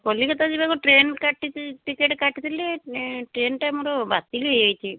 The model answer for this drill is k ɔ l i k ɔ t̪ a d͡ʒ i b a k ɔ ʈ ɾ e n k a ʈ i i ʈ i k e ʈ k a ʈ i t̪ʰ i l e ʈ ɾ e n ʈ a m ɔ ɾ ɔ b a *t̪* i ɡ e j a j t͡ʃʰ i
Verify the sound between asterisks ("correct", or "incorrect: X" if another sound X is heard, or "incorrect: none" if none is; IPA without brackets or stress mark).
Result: correct